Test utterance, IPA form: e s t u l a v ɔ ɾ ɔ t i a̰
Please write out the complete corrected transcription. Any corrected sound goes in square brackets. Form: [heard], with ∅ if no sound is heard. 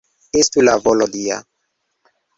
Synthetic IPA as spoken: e s t u l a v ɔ [l] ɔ [d] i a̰